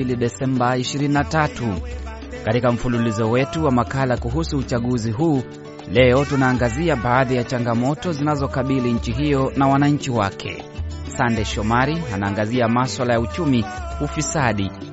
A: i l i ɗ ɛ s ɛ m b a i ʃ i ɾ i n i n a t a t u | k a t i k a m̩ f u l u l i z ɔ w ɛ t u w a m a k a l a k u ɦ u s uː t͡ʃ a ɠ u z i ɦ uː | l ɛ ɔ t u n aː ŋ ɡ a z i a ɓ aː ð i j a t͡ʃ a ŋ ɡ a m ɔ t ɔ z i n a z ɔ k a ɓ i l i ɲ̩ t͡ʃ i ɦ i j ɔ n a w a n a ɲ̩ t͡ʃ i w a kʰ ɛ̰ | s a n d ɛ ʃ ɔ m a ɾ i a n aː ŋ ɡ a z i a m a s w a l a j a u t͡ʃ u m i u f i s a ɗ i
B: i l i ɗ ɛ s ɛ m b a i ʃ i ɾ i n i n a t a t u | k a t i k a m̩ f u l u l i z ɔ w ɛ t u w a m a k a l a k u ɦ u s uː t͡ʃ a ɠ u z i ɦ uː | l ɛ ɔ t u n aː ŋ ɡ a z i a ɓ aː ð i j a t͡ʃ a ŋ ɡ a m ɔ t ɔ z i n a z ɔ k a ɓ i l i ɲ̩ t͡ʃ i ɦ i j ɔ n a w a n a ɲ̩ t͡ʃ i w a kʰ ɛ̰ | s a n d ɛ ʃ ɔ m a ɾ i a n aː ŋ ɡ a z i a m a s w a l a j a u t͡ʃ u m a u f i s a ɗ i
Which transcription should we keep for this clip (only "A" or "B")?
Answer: A